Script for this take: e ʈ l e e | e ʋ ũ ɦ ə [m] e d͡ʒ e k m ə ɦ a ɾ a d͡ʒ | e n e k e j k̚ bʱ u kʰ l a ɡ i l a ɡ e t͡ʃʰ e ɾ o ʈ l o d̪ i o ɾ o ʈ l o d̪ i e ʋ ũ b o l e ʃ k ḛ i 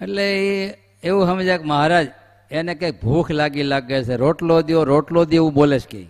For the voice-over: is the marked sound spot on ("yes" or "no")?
yes